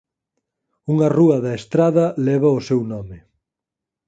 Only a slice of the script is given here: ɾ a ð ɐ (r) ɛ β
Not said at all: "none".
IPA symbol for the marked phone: l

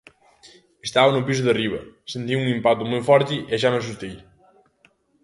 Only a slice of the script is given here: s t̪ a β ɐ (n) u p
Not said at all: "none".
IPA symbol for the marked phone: n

